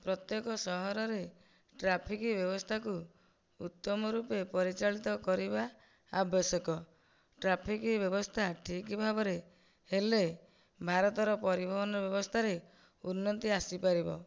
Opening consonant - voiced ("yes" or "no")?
no